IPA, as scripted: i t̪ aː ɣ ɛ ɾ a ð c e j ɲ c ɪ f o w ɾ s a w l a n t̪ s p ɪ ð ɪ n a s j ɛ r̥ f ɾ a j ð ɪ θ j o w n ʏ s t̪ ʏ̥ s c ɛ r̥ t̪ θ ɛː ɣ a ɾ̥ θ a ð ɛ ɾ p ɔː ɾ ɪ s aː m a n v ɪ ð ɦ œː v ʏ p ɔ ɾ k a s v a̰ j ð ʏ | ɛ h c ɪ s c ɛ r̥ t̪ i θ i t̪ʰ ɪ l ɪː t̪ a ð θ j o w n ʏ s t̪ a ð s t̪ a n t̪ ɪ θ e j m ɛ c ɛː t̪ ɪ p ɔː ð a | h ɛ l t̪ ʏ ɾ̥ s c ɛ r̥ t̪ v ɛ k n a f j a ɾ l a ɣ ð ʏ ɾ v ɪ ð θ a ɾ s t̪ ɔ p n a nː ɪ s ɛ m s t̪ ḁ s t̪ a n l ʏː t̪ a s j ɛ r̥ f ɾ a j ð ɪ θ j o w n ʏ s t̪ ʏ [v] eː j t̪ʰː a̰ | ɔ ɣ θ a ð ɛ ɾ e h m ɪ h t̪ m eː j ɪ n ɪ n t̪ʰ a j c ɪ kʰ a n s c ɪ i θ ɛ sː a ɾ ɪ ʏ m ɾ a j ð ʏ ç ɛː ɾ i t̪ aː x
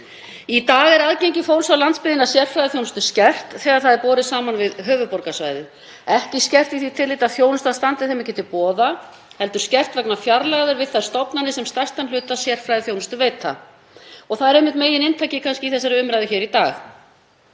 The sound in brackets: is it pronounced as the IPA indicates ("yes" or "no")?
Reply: yes